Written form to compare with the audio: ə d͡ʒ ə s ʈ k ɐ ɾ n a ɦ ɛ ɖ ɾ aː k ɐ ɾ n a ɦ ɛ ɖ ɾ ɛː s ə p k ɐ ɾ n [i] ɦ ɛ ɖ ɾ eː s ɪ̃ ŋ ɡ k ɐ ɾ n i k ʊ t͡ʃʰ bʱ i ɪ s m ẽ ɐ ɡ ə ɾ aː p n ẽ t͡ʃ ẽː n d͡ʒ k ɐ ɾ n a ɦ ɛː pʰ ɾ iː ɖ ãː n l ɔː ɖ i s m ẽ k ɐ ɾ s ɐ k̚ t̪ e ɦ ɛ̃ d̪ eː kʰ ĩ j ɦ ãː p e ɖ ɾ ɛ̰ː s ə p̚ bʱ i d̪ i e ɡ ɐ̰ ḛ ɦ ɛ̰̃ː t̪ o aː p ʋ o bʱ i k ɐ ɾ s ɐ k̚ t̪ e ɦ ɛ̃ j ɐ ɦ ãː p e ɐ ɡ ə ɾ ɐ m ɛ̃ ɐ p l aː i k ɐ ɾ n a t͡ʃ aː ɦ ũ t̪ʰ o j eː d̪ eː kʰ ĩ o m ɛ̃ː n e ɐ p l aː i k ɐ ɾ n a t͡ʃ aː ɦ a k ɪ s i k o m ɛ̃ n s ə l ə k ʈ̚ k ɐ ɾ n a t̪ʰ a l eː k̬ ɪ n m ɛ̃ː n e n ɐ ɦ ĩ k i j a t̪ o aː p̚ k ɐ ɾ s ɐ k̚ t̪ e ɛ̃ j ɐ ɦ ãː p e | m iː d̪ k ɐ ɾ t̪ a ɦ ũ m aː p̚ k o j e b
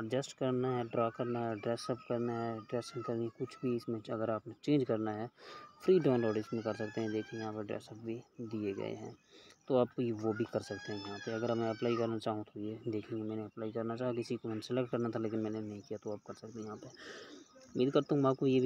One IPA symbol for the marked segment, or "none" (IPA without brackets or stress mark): a